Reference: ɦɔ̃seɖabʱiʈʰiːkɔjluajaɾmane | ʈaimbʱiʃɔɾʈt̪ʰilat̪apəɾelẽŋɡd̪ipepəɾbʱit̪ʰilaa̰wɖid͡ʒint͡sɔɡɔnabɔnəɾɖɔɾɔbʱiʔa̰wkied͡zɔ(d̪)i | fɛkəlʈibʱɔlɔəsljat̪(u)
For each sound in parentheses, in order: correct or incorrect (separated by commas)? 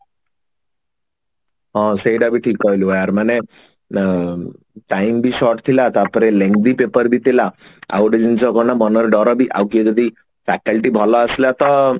correct, incorrect